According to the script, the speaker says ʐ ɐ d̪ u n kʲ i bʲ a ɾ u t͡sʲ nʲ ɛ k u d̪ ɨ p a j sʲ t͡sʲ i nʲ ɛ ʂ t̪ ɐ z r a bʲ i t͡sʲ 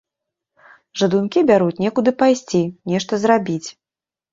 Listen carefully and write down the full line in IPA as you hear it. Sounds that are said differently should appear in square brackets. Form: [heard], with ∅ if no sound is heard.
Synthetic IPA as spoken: ʐ ɐ d̪ u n kʲ i bʲ a ɾ u t͡sʲ nʲ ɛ k u d̪ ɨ p a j sʲ t͡sʲ i nʲ ɛ ʂ t̪ ɐ z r a bʲ i t͡sʲ